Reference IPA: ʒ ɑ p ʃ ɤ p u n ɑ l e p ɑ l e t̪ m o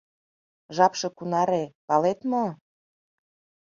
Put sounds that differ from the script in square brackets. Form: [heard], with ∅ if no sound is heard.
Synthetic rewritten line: ʒ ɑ p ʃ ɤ [k] u n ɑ [ɾ] e p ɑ l e t̪ m o